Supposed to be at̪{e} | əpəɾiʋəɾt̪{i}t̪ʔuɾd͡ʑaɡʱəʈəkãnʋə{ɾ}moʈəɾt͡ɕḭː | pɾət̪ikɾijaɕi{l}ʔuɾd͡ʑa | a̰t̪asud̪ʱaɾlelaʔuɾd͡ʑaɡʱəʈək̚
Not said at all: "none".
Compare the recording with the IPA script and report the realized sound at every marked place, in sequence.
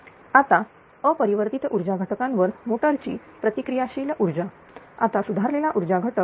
a, i, ɾ, l

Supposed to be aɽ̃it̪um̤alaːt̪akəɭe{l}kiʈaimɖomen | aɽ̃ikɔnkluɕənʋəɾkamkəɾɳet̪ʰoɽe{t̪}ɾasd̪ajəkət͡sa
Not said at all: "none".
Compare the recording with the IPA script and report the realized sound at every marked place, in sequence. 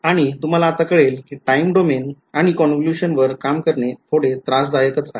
l, t̪

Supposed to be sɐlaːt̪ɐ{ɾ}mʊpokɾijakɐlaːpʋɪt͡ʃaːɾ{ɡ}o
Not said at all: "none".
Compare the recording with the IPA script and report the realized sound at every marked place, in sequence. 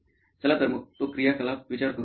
ɾ, k

